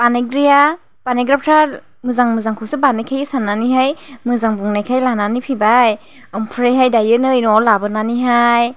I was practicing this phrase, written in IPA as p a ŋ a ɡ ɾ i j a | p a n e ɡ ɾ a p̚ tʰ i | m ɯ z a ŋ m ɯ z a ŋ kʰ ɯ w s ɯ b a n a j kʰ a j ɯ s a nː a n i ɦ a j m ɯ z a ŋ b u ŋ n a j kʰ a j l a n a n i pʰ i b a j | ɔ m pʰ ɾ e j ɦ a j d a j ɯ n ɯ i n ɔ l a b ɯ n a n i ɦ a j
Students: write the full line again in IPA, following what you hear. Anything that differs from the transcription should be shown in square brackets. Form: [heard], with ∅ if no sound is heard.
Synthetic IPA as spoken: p a [n] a ɡ ɾ i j a | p a n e ɡ ɾ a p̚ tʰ [a] | m ɯ z a ŋ m ɯ z a ŋ kʰ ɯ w s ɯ b a n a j kʰ a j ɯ s a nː a n i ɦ a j m ɯ z a ŋ b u ŋ n a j kʰ a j l a n a n i pʰ i b a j | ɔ m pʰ ɾ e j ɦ a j d a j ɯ n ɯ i n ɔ l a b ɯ n a n i ɦ a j